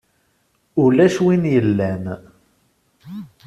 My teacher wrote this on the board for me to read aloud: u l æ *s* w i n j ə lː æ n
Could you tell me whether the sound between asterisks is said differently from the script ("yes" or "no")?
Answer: yes